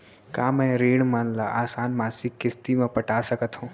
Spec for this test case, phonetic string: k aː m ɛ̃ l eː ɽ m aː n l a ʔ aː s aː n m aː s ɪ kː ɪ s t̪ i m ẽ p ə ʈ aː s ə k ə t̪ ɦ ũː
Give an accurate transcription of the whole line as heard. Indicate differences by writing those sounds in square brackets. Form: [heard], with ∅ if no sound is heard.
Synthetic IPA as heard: k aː m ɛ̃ [ɾ] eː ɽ m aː n l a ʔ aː s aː n m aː s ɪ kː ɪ s t̪ i m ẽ p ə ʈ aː s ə k ə t̪ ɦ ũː